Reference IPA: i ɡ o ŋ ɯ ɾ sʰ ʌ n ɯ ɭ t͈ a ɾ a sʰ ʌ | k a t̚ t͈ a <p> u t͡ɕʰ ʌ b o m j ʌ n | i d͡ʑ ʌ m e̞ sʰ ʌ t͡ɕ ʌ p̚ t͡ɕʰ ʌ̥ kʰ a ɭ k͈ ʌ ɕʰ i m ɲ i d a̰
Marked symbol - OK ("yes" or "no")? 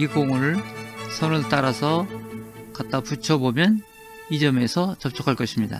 yes